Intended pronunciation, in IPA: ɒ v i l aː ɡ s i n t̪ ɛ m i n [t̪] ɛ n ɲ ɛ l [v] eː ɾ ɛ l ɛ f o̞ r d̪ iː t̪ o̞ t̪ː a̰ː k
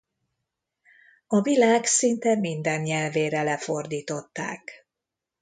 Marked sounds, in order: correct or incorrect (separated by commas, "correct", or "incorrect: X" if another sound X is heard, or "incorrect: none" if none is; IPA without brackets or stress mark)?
incorrect: d̪, correct